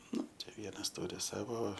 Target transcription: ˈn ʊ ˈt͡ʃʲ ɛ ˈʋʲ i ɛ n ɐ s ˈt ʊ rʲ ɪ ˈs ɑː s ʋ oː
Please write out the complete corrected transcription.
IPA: ˈn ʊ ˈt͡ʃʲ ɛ ˈʋʲ i ɛ n ɐ s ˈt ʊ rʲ ɪ ˈs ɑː ʋ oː